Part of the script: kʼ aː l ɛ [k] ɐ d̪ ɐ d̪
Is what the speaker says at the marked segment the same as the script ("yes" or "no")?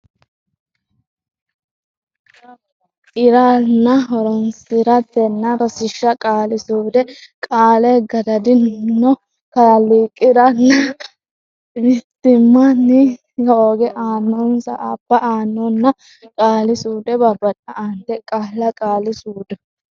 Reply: no